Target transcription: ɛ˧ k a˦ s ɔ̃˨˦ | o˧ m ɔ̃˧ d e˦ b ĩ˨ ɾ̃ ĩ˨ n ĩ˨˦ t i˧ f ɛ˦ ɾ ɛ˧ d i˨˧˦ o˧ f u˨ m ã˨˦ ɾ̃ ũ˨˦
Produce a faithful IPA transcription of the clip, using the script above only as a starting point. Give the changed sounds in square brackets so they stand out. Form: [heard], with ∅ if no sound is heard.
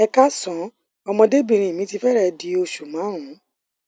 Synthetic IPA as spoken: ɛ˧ k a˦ s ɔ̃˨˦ | [ɔ˧] m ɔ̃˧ d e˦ b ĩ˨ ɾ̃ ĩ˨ [m] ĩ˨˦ t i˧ f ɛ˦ ɾ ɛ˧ d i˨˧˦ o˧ [ʃ] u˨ m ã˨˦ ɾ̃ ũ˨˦